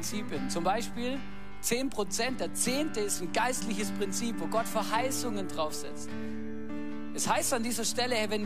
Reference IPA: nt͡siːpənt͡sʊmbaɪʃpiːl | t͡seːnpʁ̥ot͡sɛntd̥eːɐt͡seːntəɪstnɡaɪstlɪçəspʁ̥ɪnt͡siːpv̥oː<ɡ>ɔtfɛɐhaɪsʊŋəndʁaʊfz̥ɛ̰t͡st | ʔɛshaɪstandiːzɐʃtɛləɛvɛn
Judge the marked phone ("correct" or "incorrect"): correct